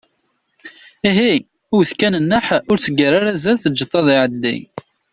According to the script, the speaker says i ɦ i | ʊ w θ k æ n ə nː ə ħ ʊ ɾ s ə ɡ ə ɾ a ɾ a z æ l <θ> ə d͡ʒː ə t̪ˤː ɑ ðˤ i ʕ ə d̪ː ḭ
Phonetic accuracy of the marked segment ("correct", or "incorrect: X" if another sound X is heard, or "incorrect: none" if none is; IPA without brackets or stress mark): correct